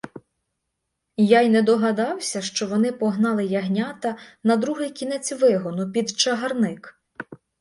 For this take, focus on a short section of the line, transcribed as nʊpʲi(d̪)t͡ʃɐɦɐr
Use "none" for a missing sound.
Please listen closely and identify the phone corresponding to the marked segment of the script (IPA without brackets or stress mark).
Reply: d̪